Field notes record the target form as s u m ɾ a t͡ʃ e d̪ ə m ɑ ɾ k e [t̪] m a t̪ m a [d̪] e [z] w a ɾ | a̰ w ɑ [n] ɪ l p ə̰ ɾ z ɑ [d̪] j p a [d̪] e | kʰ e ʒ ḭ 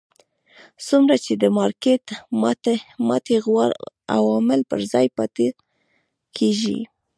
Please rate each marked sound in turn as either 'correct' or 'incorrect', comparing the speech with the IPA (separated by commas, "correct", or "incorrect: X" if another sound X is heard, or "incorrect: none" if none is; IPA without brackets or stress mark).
correct, incorrect: t̪, incorrect: ɣ, incorrect: m, incorrect: none, incorrect: t̪